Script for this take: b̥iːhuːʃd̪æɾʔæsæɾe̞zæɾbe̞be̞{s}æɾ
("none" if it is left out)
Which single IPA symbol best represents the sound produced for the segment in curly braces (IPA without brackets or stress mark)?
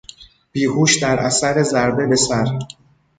s